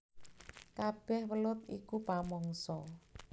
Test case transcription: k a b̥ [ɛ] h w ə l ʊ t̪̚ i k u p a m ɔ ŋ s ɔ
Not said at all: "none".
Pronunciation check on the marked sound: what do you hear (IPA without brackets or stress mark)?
ɛ